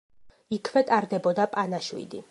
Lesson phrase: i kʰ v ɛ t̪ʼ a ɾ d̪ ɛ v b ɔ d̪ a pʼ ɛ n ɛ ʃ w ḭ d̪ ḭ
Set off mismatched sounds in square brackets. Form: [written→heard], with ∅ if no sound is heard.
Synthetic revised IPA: i kʰ v ɛ t̪ʼ a ɾ d̪ ɛ [v→∅] b ɔ d̪ a pʼ [ɛ→a] n [ɛ→a] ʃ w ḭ d̪ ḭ